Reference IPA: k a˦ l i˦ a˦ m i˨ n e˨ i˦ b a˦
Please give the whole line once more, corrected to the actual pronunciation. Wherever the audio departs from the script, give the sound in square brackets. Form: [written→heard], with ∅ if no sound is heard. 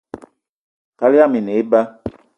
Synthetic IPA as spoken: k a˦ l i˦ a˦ m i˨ n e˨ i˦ b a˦